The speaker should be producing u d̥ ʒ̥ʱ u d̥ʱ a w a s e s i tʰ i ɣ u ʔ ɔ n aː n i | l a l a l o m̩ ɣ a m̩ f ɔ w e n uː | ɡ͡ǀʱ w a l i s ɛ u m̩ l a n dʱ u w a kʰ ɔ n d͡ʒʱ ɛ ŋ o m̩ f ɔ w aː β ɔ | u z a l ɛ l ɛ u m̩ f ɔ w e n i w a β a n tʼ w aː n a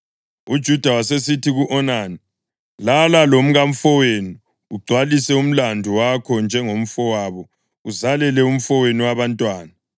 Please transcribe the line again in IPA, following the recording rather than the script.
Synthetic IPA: u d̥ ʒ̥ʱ u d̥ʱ a w a s e s i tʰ i ɣ u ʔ ɔ n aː n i | l a l a l o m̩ ɣ a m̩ f ɔ w e n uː | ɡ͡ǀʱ w a l i s ɛ u m̩ l a n dʱ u w a kʰ ɔ n d͡ʒʱ ɛ ŋ o m̩ f ɔ w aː β ɔ | u z a l ɛ l ɛ u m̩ f ɔ w e n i w a β a n tʼ w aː n a